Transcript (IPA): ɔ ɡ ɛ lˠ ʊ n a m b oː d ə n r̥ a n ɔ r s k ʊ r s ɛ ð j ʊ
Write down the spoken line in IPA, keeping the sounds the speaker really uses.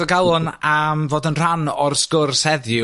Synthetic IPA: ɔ ɡ a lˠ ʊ n a m v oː d ə n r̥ a n ɔ r s k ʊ r s ɛ ð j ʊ